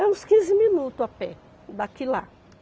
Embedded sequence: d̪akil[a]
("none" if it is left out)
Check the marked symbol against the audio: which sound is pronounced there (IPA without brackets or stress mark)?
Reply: a